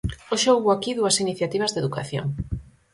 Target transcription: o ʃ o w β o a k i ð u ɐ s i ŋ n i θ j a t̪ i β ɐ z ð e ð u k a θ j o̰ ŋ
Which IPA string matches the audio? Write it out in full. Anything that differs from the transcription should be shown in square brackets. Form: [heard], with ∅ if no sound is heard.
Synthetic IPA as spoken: o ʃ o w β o a k i ð u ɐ s i [∅] n i θ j a t̪ i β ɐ z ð e ð u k a θ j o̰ ŋ